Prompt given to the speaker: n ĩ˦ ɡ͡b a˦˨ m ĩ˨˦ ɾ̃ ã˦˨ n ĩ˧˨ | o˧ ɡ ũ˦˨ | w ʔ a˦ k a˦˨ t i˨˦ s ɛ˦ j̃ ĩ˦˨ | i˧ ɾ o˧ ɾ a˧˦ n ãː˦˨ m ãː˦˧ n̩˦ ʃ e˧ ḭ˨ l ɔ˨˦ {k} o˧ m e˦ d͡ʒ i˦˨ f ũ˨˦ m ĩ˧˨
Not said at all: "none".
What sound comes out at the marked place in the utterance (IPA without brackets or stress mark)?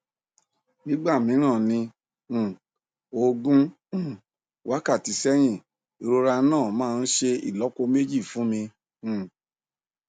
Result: k